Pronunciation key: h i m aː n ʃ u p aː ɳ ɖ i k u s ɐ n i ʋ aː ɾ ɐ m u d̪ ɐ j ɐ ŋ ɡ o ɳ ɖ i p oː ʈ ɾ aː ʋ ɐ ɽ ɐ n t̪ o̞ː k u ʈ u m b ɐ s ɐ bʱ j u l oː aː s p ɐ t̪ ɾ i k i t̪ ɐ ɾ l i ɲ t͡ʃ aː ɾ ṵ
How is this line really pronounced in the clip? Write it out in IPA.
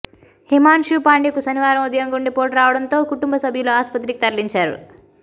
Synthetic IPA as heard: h i m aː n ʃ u p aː ɳ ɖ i k u s ɐ n i ʋ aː ɾ ɐ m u d̪ ɐ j ɐ ŋ ɡ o ɳ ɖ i p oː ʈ ɾ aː ʋ ɐ ɽ ɐ n t̪ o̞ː k u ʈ u m b ɐ s ɐ bʱ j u l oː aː s p ɐ t̪ ɾ i k i t̪ ɐ ɾ l i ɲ t͡ʃ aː ɾ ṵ